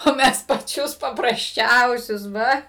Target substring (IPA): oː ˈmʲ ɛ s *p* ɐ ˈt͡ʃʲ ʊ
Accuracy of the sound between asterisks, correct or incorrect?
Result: correct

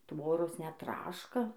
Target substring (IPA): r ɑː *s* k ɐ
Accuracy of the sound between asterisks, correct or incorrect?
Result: incorrect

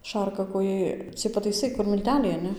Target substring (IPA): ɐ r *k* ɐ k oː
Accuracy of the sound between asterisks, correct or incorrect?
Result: correct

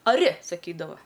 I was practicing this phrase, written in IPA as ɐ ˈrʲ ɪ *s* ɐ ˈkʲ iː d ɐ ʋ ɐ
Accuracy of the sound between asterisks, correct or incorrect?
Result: correct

